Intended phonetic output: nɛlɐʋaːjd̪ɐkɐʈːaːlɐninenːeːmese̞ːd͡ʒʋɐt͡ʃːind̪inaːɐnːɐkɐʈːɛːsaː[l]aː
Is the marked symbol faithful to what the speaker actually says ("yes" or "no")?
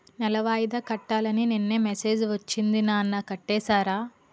no